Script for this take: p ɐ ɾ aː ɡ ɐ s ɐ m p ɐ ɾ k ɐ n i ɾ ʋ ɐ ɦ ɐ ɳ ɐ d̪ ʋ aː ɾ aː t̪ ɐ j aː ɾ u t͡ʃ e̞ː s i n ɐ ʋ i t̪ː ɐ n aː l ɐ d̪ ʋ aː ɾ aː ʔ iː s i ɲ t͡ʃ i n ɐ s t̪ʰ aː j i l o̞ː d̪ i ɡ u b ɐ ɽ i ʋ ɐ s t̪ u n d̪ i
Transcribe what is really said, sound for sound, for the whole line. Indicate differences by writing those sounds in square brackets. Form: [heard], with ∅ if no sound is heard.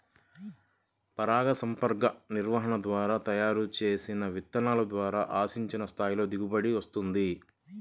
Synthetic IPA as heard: p ɐ ɾ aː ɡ ɐ s ɐ m p ɐ ɾ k ɐ n i ɾ ʋ ɐ ɦ ɐ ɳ ɐ d̪ ʋ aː ɾ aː t̪ ɐ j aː ɾ u t͡ʃ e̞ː s i n ɐ ʋ i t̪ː ɐ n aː l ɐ d̪ ʋ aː ɾ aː ʔ [aː] s i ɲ t͡ʃ i n ɐ s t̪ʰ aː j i l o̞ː d̪ i ɡ u b ɐ ɽ i ʋ ɐ s t̪ u n d̪ i